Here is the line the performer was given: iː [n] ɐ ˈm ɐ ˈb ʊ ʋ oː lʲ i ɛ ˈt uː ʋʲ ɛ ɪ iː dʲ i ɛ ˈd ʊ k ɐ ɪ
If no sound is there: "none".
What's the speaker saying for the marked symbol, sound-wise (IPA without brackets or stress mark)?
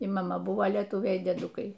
m